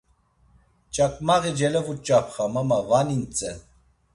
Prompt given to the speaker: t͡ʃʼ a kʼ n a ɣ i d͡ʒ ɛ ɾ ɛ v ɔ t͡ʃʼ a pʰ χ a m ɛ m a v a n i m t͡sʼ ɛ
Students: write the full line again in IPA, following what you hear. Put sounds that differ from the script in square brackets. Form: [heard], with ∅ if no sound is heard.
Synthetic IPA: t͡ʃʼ a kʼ [m] a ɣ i d͡ʒ ɛ [l] ɛ v [u] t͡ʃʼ a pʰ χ a m [a] m a v a n i [n] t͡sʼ ɛ